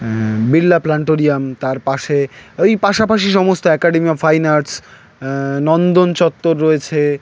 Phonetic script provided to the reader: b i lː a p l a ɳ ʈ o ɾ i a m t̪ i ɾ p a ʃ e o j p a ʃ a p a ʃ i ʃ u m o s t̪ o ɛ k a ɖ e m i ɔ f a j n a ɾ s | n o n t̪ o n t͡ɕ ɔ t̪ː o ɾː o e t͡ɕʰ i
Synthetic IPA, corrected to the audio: b i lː a p l a ɳ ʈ o ɾ i a m t̪ a ɾ p a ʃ e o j p a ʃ a p a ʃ i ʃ ɔ m o s t̪ o ɛ k a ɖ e m i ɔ f a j n a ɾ s | n ɔ n d̪ o n t͡ɕ ɔ t̪ː o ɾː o e t͡ɕʰ e